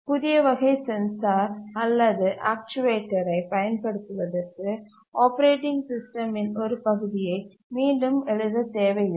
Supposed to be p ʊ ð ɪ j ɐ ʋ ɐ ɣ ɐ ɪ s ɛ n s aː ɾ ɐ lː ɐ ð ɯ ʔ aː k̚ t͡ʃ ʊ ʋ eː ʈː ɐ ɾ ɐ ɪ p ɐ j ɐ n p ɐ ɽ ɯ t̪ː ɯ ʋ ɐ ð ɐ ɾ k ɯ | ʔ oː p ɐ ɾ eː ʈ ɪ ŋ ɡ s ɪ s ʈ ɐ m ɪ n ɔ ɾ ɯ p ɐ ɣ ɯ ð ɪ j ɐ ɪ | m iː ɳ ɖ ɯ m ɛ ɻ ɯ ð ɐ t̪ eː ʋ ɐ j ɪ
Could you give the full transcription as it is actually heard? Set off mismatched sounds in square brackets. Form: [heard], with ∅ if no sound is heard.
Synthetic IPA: p ʊ ð ɪ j ɐ ʋ ɐ ɣ ɐ ɪ s ɛ n s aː ɾ ɐ lː ɐ ð ɯ ʔ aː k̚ t͡ʃ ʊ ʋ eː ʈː ɐ ɾ ɐ ɪ p ɐ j ɐ n p ɐ ɽ ɯ t̪ː ɯ ʋ ɐ ð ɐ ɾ k ɯ | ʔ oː p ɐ ɾ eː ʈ ɪ ŋ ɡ s ɪ s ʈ ɐ m ɪ n ɔ ɾ ɯ p ɐ ɣ ɯ ð ɪ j ɐ ɪ | m iː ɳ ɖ ɯ m ɛ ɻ ɯ ð ɐ t̪ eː ʋ ɐ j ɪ

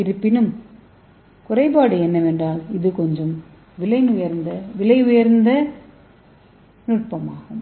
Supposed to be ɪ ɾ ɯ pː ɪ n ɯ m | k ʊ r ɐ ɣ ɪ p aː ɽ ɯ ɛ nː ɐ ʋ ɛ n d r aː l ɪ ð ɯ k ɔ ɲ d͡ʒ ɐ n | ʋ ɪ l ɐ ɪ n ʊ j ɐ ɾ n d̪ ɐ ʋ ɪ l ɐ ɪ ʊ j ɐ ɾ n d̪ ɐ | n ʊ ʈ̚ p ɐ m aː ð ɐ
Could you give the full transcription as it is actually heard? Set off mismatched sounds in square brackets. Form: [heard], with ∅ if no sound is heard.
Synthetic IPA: ɪ ɾ ɯ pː ɪ n ɯ m | k ʊ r ɐ [∅] ɪ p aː ɽ ɯ ɛ nː ɐ ʋ ɛ n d r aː l ɪ ð ɯ k ɔ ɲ d͡ʒ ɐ [m] | ʋ ɪ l ɐ ɪ n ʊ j ɐ ɾ n d̪ ɐ ʋ ɪ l ɐ ɪ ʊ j ɐ ɾ n d̪ ɐ | n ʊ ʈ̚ p ɐ m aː [ɣ] ɐ

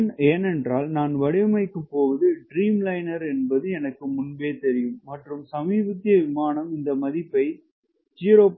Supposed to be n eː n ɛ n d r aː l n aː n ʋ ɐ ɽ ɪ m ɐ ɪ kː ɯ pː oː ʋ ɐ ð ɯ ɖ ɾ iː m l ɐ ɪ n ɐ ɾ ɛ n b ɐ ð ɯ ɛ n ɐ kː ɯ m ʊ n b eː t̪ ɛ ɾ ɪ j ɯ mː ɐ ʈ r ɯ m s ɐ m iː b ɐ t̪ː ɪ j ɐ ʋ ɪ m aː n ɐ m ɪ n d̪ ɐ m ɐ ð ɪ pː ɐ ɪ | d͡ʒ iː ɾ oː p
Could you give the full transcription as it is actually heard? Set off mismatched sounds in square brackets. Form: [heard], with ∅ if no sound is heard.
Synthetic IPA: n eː n ɛ n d r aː l n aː n ʋ ɐ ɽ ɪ m ɐ ɪ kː ɯ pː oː ʋ ɐ ð ɯ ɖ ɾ iː m l ɐ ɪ n ɐ ɾ ɛ n b ɐ ð ɯ ɛ n ɐ kː ɯ m ʊ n b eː t̪ ɛ ɾ ɪ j ɯ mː ɐ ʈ r ɯ m s ɐ m iː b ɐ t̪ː ɪ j ɐ ʋ ɪ m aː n ɐ m ɪ n d̪ ɐ m ɐ ð ɪ pː ɐ ɪ | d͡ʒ iː ɾ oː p

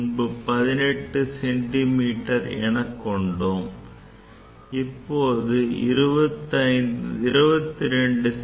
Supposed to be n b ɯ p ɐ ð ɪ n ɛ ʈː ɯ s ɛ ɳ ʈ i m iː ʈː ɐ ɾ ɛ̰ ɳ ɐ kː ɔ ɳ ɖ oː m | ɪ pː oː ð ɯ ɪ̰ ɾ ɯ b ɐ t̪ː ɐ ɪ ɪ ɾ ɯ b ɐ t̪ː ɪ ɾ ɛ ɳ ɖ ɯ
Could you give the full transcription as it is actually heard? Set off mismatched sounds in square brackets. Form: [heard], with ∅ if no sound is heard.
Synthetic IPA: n b ɯ p ɐ ð ɪ n ɛ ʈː ɯ s ɛ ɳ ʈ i m iː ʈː ɐ ɾ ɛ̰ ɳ ɐ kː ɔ ɳ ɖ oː m | ɪ pː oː ð ɯ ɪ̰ ɾ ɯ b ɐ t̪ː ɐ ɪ ɪ ɾ ɯ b ɐ t̪ː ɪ ɾ ɛ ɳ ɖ ɯ

